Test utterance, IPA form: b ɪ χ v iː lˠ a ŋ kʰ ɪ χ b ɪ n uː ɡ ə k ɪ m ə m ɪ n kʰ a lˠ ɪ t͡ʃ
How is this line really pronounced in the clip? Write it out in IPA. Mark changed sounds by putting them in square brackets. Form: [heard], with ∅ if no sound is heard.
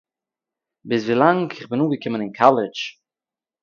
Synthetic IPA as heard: b ɪ [s] v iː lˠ a ŋ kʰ ɪ χ b ɪ n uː ɡ ə k ɪ m ə [n] ɪ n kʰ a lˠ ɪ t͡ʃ